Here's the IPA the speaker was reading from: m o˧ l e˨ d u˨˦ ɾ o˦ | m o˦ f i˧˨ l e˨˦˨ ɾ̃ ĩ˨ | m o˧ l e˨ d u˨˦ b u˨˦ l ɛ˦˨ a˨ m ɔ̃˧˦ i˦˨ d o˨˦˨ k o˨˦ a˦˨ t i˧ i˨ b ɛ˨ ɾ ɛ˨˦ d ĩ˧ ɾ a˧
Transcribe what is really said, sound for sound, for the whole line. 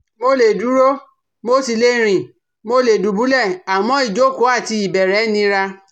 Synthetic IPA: m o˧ l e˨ d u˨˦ ɾ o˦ | m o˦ s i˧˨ l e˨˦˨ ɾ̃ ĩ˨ | m o˧ l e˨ d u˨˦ b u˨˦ l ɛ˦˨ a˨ m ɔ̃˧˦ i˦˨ d͡ʒ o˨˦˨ k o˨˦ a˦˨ t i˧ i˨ b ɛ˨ ɾ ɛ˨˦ n ĩ˧ ɾ a˧